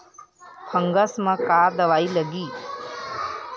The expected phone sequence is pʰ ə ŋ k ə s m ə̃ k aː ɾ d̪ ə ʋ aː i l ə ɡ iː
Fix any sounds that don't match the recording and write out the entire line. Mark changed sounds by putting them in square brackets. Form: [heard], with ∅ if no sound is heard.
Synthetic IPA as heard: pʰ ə ŋ [ɡ] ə s m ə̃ k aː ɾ d̪ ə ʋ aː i l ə ɡ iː